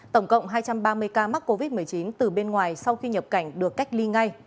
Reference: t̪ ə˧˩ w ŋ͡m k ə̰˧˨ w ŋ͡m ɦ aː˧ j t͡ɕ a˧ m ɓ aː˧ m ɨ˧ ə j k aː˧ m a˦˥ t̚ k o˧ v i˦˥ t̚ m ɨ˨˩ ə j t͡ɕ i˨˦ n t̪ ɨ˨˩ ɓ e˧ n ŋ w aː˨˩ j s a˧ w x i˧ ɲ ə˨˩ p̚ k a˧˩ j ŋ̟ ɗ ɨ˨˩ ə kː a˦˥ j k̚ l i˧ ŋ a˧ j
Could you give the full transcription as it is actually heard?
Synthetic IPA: t̪ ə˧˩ w ŋ͡m k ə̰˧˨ w ŋ͡m ɦ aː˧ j t͡ɕ a˧ m ɓ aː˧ m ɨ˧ ə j k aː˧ m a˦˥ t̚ k o˧ v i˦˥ t̚ m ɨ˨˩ ə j t͡ɕ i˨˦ n t̪ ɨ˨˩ ɓ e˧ n ŋ w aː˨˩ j s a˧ w x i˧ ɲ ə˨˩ p̚ k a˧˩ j ŋ̟ ɗ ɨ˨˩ ə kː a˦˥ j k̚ l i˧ ŋ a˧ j